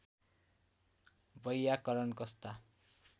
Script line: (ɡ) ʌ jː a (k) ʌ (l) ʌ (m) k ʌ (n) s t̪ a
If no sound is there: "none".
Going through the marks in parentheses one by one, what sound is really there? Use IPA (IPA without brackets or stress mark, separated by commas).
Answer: b, k, ɾ, n, none